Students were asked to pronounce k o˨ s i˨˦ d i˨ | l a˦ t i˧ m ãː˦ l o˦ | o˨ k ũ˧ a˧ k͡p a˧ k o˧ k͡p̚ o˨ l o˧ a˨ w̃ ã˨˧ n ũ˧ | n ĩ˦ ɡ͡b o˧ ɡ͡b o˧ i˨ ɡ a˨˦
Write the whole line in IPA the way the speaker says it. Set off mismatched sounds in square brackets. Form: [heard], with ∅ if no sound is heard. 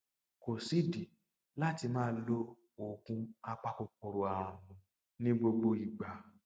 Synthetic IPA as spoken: k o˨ s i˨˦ d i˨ | l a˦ t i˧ m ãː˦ l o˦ | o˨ k ũ˧ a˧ k͡p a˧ k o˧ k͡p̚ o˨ [ɾ] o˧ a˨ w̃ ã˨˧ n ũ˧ | n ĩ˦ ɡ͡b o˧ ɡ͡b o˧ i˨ [ɡ͡b] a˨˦